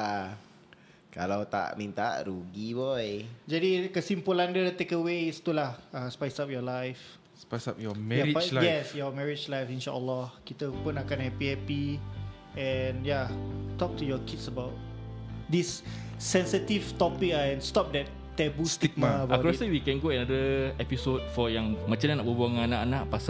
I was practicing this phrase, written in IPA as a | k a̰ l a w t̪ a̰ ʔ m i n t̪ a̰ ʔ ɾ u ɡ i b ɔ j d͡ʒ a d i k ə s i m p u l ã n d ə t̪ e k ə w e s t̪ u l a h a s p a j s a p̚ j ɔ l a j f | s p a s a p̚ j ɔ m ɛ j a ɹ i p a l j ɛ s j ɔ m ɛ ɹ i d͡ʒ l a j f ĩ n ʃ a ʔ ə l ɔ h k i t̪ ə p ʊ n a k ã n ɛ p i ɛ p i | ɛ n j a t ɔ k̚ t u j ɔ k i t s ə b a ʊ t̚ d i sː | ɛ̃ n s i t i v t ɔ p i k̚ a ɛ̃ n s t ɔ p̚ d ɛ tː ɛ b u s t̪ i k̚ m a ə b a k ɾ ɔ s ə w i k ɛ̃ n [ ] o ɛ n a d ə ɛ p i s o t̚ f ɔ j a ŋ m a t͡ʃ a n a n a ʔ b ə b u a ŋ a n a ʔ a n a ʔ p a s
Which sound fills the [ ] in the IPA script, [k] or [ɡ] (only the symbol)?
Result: ɡ